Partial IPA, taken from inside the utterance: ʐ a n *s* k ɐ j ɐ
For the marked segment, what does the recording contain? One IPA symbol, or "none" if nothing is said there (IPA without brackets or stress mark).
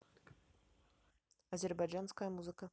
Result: s